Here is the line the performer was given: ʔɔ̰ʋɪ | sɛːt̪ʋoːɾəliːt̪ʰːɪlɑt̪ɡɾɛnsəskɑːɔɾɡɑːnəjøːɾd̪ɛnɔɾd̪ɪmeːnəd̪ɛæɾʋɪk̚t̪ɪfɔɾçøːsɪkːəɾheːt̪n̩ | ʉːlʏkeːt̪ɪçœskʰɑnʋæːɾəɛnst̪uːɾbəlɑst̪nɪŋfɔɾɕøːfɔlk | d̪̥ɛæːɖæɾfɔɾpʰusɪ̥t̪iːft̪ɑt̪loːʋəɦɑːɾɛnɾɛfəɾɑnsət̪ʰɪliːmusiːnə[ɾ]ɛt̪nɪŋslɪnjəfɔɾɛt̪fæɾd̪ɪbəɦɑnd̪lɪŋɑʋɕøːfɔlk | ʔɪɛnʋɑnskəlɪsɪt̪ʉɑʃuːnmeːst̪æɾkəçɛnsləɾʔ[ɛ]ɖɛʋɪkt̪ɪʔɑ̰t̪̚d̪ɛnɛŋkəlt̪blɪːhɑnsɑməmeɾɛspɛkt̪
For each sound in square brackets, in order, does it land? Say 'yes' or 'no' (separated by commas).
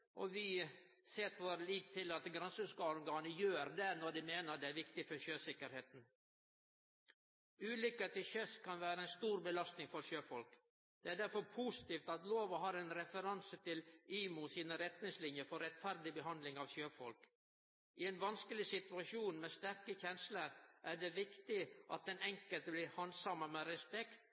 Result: yes, no